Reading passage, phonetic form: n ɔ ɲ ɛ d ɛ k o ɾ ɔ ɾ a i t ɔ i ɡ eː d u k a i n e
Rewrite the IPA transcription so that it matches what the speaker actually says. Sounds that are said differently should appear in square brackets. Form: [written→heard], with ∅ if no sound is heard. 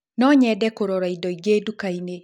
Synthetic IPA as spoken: n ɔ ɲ ɛ d ɛ k o ɾ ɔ ɾ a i [t→d] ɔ i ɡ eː d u k a i n e